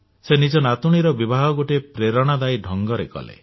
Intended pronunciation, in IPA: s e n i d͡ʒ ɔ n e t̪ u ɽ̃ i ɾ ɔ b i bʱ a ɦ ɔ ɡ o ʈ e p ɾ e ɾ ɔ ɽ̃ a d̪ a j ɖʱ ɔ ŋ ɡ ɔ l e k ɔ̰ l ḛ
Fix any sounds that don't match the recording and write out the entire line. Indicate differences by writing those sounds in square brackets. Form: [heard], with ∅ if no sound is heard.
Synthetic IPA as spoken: s e n i d͡ʒ ɔ n [a] t̪ u ɽ̃ i ɾ ɔ b i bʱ a ɦ ɔ ɡ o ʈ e p ɾ e ɾ ɔ ɽ̃ a d̪ a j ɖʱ ɔ ŋ ɡ ɔ [ɾ] e k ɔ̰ l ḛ